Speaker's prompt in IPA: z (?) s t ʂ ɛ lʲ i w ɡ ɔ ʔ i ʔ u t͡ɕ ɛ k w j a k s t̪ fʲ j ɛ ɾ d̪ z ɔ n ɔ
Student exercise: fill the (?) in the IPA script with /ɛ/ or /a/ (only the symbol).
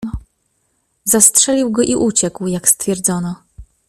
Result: a